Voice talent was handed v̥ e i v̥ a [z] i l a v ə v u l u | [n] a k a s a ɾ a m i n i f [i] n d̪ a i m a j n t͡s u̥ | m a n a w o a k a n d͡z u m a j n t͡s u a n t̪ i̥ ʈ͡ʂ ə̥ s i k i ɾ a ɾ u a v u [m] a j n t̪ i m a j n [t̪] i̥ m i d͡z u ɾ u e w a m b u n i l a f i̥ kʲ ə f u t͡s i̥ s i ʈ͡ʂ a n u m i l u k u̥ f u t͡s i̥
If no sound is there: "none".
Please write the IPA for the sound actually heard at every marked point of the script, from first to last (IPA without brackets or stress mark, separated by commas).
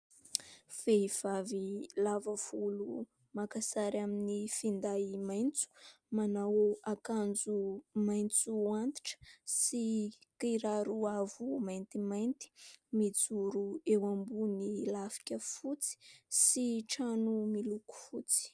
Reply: v, m, i, m, t̪